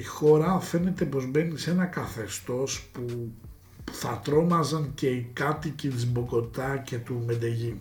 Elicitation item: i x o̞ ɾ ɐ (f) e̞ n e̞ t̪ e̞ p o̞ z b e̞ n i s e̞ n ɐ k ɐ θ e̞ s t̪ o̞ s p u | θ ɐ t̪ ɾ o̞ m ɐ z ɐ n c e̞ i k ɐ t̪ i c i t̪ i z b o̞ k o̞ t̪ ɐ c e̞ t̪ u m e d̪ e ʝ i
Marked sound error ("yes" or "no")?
no